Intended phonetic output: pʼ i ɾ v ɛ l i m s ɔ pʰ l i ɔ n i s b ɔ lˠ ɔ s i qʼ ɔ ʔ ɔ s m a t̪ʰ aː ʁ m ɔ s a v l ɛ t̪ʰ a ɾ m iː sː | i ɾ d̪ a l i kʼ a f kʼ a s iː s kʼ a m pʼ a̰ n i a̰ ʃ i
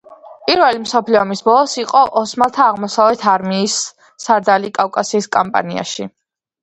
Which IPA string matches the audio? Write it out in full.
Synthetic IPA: pʼ i ɾ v ɛ l i m s ɔ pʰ l i ɔ m i s b ɔ lˠ ɔ s i qʼ ɔ ʔ ɔ s m a t̪ʰ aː ʁ m ɔ s a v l ɛ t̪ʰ a ɾ m iː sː | a ɾ d̪ a l i kʼ a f kʼ a s iː s kʼ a m pʼ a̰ n i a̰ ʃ i